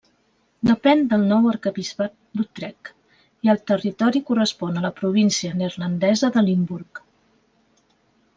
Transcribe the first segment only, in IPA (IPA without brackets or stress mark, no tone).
d̪